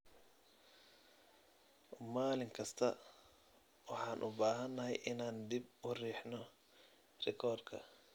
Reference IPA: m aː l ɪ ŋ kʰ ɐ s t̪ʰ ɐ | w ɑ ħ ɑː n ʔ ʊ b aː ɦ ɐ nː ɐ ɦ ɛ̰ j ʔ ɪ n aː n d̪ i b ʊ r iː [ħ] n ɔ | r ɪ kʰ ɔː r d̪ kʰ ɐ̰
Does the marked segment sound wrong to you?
no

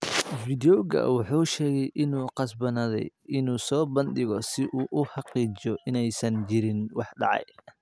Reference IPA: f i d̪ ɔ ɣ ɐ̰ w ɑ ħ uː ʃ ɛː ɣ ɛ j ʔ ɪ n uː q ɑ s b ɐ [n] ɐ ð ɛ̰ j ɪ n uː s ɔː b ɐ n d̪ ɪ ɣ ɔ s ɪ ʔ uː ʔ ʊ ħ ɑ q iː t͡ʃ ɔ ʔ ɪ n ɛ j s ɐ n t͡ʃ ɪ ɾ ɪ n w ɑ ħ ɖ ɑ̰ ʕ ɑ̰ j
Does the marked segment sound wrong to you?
no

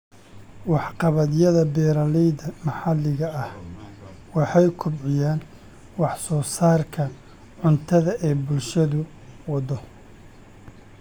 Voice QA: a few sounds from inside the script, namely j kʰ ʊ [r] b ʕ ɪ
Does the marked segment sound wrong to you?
yes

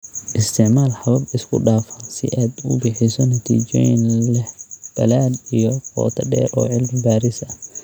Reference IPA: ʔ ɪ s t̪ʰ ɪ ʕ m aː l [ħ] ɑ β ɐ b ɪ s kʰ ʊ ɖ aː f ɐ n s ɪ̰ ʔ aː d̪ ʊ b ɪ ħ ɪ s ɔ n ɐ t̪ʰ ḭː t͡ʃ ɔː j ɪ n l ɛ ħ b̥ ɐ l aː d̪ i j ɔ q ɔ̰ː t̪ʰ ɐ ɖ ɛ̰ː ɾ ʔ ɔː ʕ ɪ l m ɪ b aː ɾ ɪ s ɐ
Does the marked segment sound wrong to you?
no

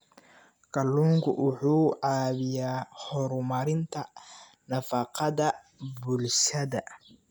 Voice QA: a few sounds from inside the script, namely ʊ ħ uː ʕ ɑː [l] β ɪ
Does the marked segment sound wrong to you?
yes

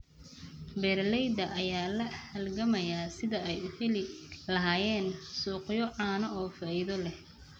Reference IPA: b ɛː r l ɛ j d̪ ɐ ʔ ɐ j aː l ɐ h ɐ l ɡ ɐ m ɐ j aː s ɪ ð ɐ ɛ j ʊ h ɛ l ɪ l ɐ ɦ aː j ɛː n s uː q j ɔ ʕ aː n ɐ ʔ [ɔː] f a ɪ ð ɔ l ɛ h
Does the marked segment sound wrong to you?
no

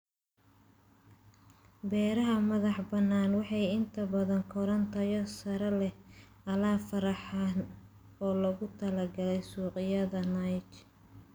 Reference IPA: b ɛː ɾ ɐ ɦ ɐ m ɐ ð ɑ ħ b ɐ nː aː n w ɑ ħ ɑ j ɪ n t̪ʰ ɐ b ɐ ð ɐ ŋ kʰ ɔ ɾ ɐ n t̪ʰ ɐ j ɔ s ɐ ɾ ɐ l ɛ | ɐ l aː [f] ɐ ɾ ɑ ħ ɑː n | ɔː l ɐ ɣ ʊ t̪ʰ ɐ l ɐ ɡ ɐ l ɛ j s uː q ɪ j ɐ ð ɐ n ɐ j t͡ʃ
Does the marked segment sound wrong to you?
no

